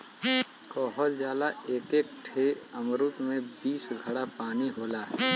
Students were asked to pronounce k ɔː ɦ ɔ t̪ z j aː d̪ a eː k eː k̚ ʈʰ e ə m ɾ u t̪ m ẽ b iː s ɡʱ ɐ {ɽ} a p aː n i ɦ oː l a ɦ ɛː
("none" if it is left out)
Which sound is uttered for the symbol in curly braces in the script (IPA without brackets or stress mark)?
ɽ